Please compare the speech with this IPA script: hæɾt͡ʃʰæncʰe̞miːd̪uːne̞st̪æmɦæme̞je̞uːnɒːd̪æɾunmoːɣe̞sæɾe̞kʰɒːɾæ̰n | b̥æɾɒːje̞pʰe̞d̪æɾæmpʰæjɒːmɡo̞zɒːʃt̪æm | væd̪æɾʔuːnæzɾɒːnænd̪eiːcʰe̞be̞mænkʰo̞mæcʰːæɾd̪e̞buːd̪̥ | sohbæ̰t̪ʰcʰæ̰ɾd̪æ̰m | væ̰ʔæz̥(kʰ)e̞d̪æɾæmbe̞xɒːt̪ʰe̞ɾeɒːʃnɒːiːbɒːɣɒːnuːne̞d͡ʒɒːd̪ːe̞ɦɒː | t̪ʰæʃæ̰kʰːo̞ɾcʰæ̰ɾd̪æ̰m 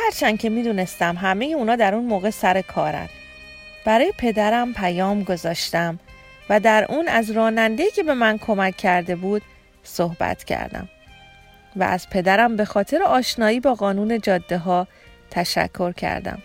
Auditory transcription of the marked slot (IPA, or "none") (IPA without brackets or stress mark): pʰ